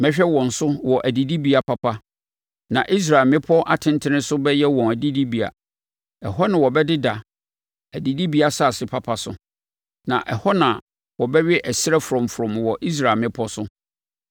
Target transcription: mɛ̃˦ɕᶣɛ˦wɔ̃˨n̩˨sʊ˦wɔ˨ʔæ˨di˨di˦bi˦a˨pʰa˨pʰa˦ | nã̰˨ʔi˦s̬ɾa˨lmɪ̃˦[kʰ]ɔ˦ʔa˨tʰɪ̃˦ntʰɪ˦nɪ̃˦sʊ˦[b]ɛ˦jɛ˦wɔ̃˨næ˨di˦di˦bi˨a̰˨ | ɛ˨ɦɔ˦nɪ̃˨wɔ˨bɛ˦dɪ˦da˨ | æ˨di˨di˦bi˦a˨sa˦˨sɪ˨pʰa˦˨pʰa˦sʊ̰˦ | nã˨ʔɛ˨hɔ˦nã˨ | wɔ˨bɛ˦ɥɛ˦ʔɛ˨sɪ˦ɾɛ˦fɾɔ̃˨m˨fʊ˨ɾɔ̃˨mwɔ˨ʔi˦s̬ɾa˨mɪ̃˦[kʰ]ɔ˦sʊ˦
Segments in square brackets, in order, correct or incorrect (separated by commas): incorrect, correct, incorrect